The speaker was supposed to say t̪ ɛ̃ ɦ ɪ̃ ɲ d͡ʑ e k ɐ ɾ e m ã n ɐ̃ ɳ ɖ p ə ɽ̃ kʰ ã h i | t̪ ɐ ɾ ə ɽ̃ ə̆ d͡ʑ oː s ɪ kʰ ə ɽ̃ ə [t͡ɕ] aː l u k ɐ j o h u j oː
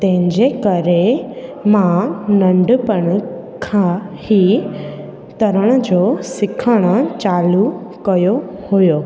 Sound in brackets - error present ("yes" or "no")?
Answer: no